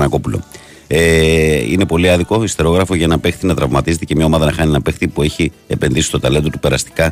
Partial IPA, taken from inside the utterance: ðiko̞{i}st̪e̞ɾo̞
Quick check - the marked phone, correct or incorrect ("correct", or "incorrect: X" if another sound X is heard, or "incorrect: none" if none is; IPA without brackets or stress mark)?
correct